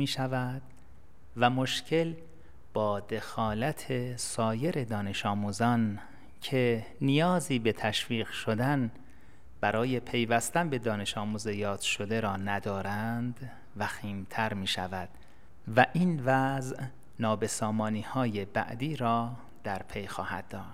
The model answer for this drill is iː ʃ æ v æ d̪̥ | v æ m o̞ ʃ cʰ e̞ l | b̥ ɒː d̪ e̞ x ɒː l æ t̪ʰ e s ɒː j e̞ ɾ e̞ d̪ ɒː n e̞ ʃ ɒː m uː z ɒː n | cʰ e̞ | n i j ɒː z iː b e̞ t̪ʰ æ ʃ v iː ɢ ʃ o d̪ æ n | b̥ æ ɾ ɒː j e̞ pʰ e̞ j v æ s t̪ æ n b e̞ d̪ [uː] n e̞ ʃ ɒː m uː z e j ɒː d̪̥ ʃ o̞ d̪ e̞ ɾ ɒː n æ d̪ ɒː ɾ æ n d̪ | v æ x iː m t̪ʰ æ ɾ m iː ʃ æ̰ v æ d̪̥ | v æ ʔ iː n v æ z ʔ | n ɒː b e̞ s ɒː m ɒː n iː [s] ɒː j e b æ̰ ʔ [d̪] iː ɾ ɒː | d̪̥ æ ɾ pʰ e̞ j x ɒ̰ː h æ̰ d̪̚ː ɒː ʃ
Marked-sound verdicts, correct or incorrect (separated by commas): incorrect, incorrect, correct